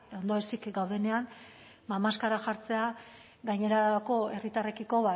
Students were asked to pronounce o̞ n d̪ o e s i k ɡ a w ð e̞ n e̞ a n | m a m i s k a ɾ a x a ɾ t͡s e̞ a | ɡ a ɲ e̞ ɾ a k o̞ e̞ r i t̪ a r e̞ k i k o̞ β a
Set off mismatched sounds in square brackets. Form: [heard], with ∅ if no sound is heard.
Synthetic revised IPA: o̞ n d̪ o e s i k ɡ a w ð e̞ n e̞ a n | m a m [a] s k a ɾ a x a ɾ t͡s e̞ a | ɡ a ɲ e̞ ɾ a k o̞ e̞ r i t̪ a r e̞ k i k o̞ β a